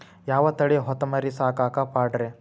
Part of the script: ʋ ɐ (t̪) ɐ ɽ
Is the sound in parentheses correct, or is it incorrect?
correct